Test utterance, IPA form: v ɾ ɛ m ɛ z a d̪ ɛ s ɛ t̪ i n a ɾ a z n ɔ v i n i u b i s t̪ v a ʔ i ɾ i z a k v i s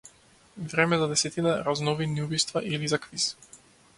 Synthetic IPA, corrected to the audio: v ɾ ɛ m ɛ z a d̪ ɛ s ɛ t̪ i n a ɾ a z n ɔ v i n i u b i s t̪ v a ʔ i l i z a k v i s